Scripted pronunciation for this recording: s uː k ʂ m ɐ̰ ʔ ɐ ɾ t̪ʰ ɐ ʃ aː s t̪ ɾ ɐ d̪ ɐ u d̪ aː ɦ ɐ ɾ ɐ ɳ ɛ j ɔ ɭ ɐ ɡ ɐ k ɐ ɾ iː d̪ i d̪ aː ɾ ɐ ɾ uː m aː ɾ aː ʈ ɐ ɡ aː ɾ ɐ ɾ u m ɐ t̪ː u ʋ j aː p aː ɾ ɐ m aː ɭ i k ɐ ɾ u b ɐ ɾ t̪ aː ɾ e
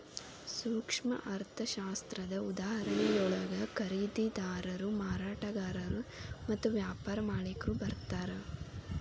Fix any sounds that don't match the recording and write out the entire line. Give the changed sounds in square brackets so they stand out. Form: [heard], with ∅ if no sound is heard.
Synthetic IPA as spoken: s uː k ʂ m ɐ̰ ʔ ɐ ɾ t̪ʰ ɐ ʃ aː s t̪ ɾ ɐ d̪ ɐ u d̪ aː ɦ ɐ ɾ ɐ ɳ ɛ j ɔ ɭ ɐ ɡ ɐ k ɐ ɾ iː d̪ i d̪ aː ɾ ɐ ɾ [u] m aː ɾ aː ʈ ɐ ɡ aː ɾ ɐ ɾ u m ɐ t̪ː u ʋ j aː p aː ɾ ɐ m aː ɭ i k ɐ ɾ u b ɐ ɾ t̪ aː ɾ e